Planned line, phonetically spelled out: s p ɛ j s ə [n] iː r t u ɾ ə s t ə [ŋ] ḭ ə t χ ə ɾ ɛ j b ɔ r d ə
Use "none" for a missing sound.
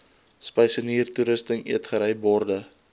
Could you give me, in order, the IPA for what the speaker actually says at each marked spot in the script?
n, ŋ

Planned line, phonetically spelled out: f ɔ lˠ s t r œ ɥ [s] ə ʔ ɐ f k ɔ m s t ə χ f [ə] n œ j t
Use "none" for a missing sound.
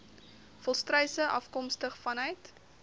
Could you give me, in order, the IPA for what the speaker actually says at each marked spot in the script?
s, ɐ

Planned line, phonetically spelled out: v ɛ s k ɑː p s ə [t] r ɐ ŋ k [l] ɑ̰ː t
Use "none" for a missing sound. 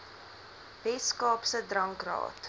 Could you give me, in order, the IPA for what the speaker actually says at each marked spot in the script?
d, r

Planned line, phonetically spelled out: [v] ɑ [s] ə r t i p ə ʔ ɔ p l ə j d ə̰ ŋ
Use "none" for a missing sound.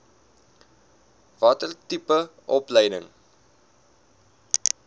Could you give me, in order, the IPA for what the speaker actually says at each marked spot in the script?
v, t

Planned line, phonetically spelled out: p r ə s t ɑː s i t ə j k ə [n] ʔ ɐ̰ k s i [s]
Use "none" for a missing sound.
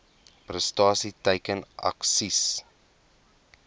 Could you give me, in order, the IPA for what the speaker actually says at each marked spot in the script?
n, s

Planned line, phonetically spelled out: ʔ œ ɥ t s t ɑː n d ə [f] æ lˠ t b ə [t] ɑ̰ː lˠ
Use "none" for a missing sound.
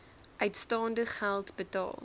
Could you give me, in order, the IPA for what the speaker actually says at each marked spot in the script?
χ, t

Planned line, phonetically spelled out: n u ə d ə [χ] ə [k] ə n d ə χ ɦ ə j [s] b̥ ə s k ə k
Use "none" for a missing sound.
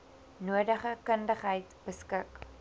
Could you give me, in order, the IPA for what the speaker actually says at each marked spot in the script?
χ, k, t

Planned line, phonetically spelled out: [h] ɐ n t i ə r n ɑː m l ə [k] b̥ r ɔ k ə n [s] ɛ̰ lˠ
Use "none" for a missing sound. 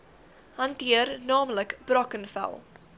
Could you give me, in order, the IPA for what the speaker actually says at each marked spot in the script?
h, k, f

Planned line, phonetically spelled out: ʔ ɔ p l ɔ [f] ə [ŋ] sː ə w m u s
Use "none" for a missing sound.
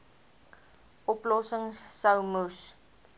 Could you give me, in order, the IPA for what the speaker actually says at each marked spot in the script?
s, ŋ

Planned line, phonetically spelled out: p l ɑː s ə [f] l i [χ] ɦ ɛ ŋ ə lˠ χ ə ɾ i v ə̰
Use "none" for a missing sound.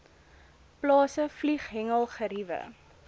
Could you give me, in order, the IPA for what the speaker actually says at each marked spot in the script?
f, χ

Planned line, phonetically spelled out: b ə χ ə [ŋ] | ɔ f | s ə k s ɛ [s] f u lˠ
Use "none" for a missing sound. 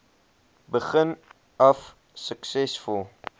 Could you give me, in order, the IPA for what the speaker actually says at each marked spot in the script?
n, s

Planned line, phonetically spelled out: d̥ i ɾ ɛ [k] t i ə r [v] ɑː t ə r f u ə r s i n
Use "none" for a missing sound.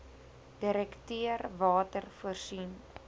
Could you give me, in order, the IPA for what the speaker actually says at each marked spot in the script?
k, v

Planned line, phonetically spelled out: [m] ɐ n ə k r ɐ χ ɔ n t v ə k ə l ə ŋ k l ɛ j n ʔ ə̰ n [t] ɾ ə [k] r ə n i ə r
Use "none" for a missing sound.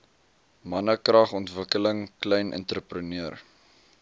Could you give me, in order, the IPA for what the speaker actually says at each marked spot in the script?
m, t, p

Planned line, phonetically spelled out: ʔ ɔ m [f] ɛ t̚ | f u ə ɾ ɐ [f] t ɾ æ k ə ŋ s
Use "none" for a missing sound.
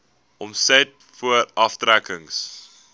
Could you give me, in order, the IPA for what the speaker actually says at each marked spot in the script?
s, f

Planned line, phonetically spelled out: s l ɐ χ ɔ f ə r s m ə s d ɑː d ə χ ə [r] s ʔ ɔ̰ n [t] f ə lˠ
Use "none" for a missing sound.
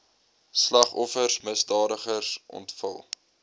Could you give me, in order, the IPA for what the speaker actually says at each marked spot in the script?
r, t

